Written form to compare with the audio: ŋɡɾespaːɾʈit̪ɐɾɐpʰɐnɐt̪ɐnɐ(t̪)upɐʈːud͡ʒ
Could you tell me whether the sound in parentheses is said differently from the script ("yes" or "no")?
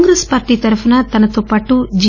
no